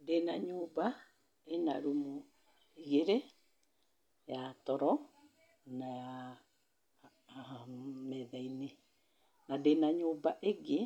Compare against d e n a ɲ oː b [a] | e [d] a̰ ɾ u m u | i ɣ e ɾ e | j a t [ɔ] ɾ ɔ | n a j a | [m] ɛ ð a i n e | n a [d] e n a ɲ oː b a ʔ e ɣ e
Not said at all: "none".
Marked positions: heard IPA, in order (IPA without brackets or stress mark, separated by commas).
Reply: a, n, ɔ, m, d